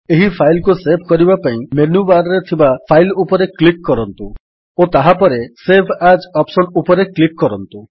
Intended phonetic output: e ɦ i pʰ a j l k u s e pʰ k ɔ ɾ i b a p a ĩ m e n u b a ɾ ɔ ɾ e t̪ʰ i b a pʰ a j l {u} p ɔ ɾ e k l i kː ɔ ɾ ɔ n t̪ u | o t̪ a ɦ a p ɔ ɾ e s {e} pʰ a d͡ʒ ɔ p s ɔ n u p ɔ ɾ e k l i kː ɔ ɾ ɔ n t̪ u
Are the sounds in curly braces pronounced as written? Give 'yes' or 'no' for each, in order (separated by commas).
yes, yes